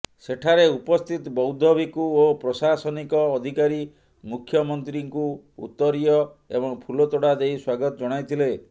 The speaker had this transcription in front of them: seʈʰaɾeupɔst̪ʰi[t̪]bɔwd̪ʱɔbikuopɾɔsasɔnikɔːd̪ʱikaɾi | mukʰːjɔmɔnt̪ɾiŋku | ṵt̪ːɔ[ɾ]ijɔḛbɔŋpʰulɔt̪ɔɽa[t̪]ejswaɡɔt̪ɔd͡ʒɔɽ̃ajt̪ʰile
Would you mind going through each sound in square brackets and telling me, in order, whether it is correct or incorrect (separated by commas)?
correct, correct, incorrect